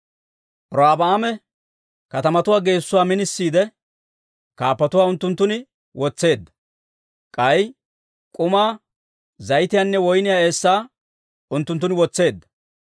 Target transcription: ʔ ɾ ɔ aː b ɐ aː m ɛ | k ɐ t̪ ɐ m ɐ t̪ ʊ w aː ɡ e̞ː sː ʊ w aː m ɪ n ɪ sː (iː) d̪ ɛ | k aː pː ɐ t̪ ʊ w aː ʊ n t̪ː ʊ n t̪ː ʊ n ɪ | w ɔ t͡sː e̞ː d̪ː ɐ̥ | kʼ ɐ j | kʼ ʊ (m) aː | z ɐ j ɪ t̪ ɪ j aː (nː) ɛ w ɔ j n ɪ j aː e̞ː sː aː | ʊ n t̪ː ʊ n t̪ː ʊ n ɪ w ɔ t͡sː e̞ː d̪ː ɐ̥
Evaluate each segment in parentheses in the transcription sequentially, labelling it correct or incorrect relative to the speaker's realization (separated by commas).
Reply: correct, correct, correct